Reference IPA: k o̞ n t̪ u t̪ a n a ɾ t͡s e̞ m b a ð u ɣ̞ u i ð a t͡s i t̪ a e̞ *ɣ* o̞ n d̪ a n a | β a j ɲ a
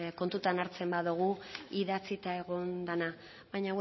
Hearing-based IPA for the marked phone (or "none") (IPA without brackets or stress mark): ɣ